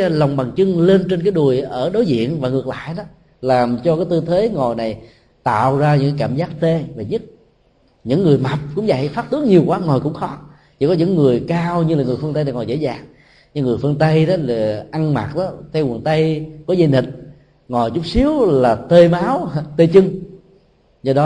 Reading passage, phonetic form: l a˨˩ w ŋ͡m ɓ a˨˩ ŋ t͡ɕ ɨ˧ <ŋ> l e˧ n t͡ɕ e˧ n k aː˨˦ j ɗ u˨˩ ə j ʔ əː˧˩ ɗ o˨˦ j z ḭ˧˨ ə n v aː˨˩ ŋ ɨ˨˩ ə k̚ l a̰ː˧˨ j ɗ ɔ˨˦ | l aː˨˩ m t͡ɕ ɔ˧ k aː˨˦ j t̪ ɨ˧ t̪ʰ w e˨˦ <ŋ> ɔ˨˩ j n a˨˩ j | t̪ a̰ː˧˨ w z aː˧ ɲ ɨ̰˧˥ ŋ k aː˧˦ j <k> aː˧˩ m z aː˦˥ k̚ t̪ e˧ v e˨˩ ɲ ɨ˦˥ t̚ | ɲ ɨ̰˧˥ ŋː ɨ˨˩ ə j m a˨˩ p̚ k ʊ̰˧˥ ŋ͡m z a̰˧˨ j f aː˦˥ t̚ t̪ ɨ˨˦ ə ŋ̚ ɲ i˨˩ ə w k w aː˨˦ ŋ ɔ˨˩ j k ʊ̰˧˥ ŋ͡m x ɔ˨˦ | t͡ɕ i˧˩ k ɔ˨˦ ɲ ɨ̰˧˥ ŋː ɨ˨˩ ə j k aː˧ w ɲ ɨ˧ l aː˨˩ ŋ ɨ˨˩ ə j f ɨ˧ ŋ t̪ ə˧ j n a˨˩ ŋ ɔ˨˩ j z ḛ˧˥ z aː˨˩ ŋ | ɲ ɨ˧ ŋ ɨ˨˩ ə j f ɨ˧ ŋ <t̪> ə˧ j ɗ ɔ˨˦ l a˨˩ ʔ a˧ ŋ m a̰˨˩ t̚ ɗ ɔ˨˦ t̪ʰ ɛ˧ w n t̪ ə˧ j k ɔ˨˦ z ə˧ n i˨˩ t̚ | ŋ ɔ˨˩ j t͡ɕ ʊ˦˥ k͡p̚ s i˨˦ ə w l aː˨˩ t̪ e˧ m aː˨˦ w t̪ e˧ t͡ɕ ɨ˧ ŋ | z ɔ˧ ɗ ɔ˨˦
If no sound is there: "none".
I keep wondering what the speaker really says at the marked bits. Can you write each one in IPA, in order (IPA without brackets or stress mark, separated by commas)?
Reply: ŋ, ŋ, k, t̪